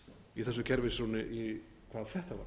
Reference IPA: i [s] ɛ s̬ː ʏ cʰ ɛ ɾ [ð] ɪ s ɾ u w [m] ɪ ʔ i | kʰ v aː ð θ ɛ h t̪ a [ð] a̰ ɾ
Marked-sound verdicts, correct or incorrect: incorrect: θ, incorrect: v, incorrect: n, incorrect: v

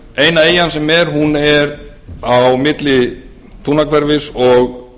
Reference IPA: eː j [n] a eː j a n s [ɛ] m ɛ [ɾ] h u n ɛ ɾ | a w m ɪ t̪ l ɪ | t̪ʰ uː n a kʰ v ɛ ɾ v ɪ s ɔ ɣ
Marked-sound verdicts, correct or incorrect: correct, correct, correct

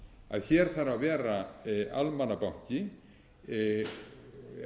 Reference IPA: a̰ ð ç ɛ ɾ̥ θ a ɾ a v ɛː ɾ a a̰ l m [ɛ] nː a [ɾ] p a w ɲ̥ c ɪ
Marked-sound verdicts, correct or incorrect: incorrect: a, incorrect: none

